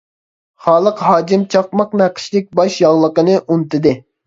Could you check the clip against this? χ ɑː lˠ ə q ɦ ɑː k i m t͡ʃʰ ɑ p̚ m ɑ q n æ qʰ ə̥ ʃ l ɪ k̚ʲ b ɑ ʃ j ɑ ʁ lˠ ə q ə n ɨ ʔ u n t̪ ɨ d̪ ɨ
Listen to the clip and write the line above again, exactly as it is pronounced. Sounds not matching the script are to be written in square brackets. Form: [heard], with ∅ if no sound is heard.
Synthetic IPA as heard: χ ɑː lˠ ə q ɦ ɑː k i m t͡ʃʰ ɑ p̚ m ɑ q n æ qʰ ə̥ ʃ l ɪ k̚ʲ b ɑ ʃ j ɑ ʁ lˠ ə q ə n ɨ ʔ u n t̪ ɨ d̪ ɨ

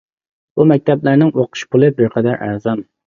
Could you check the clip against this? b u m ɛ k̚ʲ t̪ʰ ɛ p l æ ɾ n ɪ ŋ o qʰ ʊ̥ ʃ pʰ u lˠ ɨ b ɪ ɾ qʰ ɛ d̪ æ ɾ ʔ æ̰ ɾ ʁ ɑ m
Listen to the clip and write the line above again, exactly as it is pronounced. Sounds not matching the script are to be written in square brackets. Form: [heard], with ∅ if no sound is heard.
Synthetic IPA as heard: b u m ɛ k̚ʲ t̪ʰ ɛ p l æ ɾ n ɪ ŋ o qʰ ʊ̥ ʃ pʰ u lˠ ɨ b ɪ ɾ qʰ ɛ d̪ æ ɾ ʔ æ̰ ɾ [z] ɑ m

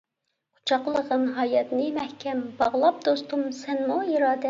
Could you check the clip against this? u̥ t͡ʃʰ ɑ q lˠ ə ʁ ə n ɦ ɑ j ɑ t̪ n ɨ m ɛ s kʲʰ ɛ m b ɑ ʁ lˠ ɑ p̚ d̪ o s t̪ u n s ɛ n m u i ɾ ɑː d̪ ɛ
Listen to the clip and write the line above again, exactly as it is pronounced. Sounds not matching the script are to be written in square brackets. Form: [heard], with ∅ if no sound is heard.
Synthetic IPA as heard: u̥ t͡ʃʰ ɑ q lˠ ə ʁ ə n ɦ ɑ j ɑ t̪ n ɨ m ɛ [h] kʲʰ ɛ m b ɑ ʁ lˠ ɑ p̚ d̪ o s t̪ u [m] s ɛ n m u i ɾ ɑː d̪ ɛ

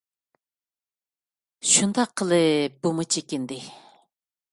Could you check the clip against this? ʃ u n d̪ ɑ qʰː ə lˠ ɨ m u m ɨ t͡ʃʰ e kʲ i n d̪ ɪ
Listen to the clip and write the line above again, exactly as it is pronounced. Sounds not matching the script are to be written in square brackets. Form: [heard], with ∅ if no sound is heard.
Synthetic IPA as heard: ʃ u n d̪ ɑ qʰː ə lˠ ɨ [b] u m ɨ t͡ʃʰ e kʲ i n d̪ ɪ

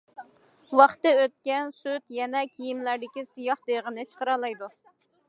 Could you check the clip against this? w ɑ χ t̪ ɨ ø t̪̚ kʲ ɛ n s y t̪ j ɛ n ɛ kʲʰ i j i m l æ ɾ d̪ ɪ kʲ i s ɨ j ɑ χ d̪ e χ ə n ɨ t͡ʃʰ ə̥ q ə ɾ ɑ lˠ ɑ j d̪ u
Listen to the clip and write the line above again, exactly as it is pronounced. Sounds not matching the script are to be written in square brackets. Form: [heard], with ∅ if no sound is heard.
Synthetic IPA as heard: w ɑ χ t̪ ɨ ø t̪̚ kʲ ɛ n s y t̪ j ɛ n ɛ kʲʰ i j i m l æ ɾ d̪ ɪ kʲ i s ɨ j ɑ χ d̪ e [ʁ] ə n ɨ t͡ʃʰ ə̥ q ə ɾ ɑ lˠ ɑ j d̪ u

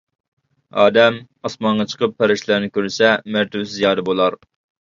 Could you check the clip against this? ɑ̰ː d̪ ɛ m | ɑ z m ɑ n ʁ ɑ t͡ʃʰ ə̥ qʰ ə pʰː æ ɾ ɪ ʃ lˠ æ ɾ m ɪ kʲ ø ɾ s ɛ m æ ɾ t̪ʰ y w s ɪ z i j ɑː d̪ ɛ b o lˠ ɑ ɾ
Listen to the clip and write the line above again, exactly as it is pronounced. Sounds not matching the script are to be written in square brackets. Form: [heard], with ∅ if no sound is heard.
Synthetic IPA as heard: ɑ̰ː d̪ ɛ m | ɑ [s] m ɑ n ʁ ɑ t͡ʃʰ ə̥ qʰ ə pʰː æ ɾ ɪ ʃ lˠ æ ɾ [n] ɪ kʲ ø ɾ s ɛ m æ ɾ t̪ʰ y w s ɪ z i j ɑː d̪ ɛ b o lˠ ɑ ɾ

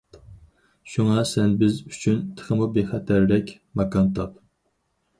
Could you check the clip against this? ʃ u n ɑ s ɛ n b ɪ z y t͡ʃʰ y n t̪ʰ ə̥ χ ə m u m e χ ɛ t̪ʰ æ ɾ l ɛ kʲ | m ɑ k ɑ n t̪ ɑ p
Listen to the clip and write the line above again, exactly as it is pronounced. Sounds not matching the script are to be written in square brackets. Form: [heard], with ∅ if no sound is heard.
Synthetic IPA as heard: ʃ u [ŋ] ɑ s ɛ n b ɪ z y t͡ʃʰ y n t̪ʰ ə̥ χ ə m u [b] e χ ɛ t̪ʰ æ ɾ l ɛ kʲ | m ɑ k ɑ n t̪ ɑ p

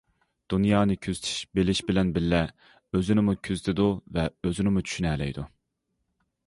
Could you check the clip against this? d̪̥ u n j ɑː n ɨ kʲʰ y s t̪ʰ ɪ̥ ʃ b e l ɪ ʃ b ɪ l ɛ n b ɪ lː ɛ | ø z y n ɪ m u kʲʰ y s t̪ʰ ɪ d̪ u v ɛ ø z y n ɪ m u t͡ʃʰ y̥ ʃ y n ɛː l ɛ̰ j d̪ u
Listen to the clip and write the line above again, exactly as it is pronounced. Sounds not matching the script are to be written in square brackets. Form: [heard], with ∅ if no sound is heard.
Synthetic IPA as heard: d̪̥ u n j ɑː n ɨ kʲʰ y [z] t̪ʰ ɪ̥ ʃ b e l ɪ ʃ b ɪ l ɛ n b ɪ lː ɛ | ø z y n ɪ m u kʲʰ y [z] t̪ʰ ɪ d̪ u v ɛ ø z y n ɪ m u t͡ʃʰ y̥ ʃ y n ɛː l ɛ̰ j d̪ u

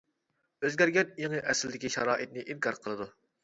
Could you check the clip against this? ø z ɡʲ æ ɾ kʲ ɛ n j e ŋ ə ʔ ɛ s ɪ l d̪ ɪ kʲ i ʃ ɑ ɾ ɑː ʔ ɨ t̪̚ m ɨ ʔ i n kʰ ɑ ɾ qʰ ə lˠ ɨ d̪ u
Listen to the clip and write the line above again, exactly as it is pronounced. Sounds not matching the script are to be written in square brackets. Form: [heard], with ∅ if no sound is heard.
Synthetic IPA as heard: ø z ɡʲ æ ɾ [ɡʲ] ɛ n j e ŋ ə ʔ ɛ s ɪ l d̪ ɪ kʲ i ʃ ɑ ɾ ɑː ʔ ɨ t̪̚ [n] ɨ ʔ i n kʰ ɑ ɾ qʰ ə lˠ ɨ d̪ u

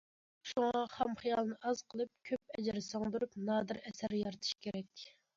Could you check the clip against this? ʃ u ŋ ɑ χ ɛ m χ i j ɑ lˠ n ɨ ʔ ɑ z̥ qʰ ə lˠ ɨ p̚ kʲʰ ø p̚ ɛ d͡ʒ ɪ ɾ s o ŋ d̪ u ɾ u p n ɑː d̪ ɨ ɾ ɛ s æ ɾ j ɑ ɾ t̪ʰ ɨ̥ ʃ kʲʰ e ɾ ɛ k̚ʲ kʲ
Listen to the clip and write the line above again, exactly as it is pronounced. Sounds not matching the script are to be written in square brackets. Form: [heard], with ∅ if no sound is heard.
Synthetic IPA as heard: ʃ u ŋ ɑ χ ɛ m χ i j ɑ lˠ n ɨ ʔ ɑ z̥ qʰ ə lˠ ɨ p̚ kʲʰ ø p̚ ɛ d͡ʒ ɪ ɾ s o ŋ d̪ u ɾ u p n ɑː d̪ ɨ ɾ ɛ s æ ɾ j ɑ ɾ t̪ʰ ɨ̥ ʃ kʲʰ e ɾ ɛ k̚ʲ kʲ

